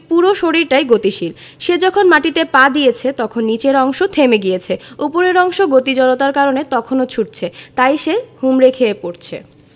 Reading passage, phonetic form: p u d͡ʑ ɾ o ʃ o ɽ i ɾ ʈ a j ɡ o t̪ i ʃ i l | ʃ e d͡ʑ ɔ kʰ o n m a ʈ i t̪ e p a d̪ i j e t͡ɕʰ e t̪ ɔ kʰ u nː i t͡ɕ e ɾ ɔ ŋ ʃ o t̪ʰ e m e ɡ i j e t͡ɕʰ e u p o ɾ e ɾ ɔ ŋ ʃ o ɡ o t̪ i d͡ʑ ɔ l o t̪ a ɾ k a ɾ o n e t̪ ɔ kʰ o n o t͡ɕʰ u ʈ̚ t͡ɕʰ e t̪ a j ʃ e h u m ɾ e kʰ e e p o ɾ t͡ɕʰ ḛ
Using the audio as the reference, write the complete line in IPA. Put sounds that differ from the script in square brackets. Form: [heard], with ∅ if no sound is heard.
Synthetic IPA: p u [∅] ɾ o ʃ o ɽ i ɾ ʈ a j ɡ o t̪ i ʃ i l | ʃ e d͡ʑ ɔ kʰ o n m a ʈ i t̪ e p a d̪ i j e t͡ɕʰ e t̪ ɔ kʰ [o] nː i t͡ɕ e ɾ ɔ ŋ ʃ o t̪ʰ e m e ɡ i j e t͡ɕʰ e u p o ɾ e ɾ ɔ ŋ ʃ o ɡ o t̪ i d͡ʑ ɔ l o t̪ a ɾ k a ɾ o n e t̪ ɔ kʰ o n o t͡ɕʰ u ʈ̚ t͡ɕʰ e t̪ a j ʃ e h u m ɾ e kʰ e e p o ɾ t͡ɕʰ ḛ